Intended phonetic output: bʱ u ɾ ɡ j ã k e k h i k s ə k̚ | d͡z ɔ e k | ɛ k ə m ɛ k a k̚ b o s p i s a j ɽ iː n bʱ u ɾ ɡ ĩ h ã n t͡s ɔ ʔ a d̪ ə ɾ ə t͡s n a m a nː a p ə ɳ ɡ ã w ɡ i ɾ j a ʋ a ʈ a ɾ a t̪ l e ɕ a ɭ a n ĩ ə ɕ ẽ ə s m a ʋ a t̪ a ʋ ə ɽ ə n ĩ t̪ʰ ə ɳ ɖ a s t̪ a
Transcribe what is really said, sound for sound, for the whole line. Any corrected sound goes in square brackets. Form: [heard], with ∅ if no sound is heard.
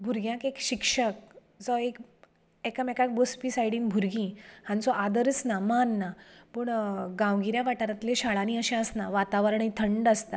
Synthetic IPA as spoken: bʱ u ɾ ɡ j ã k e k [ɕ] i k [ʂ] ə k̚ | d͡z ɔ e k | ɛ k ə m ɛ k a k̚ b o s p i s a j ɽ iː n bʱ u ɾ ɡ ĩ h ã n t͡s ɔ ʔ a d̪ ə ɾ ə t͡s n a m a nː a p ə ɳ ɡ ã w ɡ i ɾ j a ʋ a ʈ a ɾ a t̪ l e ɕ a ɭ a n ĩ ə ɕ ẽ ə s [n] a ʋ a t̪ a ʋ ə [ɾ] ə [ɳ] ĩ t̪ʰ ə ɳ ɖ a s t̪ a